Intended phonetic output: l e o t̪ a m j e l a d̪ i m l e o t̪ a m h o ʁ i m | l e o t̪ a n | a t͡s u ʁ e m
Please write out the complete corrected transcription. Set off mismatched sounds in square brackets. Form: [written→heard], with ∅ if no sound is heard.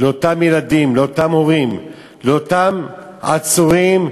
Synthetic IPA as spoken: l e o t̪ a m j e l a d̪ i m l e o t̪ a m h o ʁ i m | l e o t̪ a [n→m] | a t͡s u ʁ [e→i] m